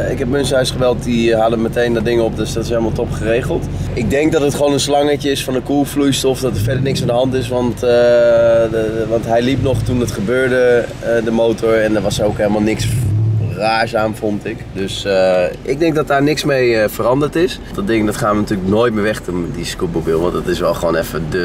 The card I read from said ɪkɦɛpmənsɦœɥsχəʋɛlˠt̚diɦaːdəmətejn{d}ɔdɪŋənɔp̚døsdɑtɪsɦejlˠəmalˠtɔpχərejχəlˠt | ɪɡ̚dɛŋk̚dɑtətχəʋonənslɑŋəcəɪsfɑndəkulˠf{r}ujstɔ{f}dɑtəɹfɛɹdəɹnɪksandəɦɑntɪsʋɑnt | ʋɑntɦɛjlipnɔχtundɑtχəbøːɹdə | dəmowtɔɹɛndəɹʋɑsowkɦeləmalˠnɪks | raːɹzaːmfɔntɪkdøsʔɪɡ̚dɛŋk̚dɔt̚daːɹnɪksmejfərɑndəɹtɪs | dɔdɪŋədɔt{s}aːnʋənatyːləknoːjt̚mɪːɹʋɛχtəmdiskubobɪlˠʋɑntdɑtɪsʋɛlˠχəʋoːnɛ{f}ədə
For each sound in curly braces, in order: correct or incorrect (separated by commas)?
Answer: correct, incorrect, correct, incorrect, correct